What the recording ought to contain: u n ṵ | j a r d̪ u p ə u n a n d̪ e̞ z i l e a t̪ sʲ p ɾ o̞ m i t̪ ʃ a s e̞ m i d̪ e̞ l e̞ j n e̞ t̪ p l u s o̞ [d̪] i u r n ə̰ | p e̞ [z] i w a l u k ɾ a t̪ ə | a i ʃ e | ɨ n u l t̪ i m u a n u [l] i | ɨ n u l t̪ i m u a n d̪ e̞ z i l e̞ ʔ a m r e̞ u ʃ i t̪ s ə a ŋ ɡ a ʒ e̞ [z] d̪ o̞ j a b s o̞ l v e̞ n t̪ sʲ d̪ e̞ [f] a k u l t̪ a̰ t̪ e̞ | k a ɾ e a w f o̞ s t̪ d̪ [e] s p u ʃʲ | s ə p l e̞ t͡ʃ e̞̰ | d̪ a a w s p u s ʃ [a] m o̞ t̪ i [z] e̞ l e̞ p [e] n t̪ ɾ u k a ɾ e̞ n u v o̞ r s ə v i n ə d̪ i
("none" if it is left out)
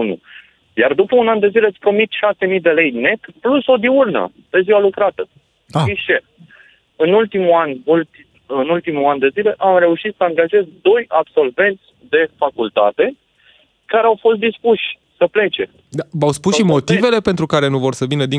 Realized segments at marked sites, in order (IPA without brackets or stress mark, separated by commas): d̪, z, l, z, f, i, i, v, e